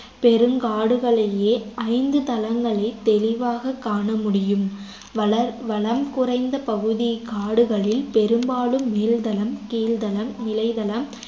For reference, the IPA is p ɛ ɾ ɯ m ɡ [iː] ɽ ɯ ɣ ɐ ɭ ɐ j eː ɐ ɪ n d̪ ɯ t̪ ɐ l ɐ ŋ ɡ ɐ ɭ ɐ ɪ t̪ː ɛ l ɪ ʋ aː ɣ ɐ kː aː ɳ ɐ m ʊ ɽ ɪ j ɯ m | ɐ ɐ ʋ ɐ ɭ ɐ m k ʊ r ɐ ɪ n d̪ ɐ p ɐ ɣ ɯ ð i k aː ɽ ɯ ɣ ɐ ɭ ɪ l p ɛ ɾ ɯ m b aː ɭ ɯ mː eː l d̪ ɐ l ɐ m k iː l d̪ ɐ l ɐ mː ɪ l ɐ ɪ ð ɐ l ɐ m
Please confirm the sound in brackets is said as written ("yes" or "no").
no